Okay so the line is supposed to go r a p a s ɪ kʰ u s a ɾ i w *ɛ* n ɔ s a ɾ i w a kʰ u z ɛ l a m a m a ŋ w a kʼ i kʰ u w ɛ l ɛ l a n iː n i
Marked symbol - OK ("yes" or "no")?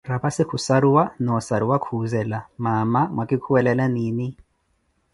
no